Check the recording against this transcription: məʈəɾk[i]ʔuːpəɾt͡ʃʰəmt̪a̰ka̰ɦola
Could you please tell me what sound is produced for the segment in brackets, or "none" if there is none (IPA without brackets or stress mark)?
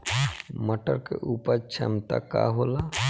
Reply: e